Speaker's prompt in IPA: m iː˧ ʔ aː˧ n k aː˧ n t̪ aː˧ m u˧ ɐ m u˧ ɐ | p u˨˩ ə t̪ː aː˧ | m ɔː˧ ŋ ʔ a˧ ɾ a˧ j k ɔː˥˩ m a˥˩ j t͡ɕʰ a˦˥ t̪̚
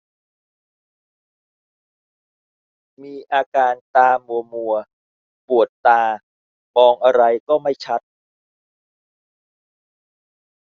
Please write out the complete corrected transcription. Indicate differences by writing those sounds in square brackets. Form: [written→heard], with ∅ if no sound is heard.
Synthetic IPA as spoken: m iː˧ ʔ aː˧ [n→∅] k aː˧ n t̪ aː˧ m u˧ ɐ m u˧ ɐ | p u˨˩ ə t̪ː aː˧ | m ɔː˧ ŋ ʔ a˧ ɾ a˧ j k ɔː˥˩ m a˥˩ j t͡ɕʰ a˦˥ t̪̚